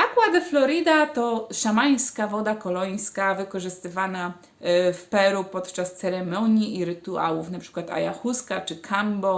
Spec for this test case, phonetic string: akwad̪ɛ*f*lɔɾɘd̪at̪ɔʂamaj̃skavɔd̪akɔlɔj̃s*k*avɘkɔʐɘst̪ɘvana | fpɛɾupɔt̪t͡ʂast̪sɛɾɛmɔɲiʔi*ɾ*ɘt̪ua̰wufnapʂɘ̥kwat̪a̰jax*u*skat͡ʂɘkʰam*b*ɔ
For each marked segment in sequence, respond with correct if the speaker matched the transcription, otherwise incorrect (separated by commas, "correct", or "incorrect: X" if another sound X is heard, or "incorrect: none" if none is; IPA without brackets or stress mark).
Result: correct, correct, correct, correct, correct